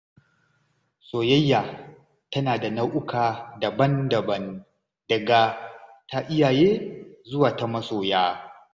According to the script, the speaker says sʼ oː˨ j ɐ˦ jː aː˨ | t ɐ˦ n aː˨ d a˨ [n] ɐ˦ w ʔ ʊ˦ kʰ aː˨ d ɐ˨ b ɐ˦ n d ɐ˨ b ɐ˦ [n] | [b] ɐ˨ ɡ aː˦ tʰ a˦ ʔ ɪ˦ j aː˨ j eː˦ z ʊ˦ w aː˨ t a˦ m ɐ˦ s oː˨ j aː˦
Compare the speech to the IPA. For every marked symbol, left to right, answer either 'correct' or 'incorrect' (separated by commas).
correct, correct, incorrect